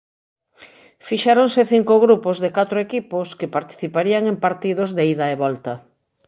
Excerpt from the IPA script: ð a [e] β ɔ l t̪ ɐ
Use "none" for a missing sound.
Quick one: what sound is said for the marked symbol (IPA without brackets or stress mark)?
e